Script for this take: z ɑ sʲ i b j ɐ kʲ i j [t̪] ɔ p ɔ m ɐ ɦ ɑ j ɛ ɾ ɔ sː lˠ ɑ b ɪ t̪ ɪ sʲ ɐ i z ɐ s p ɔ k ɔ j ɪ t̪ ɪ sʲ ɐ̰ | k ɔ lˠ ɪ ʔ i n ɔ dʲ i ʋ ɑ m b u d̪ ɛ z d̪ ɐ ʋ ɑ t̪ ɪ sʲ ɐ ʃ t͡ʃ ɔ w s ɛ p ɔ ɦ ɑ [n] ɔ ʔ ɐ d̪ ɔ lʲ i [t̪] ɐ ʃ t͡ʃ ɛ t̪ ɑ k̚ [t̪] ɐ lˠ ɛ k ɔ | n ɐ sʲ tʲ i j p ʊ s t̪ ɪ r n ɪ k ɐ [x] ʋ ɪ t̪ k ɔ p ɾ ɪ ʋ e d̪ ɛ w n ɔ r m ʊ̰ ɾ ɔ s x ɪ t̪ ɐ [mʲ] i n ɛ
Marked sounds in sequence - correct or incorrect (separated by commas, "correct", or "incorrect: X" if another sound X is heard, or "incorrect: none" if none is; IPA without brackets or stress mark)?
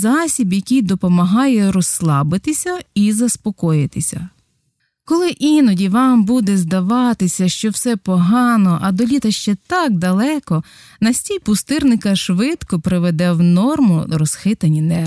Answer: incorrect: d̪, correct, correct, incorrect: d̪, incorrect: ʃ, incorrect: nʲ